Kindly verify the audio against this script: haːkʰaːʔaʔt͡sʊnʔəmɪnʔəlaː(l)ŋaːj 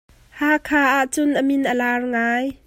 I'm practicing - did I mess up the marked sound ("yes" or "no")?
yes